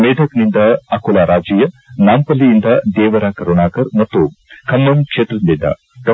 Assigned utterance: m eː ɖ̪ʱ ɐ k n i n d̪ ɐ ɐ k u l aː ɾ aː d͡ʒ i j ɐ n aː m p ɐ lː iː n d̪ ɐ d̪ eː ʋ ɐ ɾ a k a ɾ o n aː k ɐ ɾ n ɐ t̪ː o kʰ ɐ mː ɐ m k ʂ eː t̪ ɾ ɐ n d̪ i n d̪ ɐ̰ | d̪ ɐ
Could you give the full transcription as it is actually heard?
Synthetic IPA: m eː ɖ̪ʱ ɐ k n i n d̪ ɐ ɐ k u l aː ɾ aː d͡ʒ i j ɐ n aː m p ɐ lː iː n d̪ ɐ d̪ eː ʋ ɐ ɾ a k ɐ ɾ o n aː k ɐ ɾ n ɐ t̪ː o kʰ ɐ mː ɐ m k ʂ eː t̪ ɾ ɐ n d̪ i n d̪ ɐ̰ | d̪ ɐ